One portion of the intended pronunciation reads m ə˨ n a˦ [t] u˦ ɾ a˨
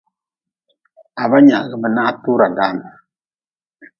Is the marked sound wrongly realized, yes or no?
no